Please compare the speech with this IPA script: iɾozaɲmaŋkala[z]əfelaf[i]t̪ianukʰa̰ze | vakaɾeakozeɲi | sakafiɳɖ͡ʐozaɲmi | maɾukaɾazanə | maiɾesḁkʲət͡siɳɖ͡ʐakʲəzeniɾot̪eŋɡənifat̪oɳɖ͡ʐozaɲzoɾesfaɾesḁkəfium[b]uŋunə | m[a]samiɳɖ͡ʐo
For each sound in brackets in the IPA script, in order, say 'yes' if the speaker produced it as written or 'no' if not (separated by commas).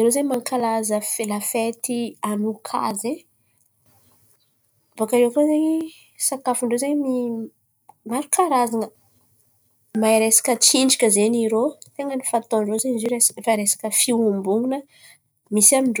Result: yes, no, yes, no